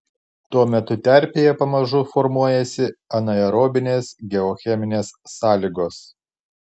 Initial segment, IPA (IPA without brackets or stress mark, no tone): t̪